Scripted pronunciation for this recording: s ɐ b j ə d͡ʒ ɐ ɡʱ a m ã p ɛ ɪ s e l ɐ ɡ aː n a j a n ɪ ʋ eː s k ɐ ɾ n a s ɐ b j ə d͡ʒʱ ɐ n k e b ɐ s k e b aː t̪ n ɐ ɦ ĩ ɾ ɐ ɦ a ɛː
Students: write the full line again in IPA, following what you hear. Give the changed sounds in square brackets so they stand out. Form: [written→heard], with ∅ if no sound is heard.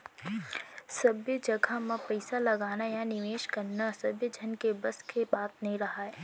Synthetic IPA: s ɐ b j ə d͡ʒ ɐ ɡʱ a m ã p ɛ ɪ s [e→a] l ɐ ɡ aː n a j a n ɪ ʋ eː [s→ʃ] k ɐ ɾ n a s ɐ b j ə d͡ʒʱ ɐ n k e b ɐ s k e b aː t̪ n ɐ ɦ ĩ ɾ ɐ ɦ a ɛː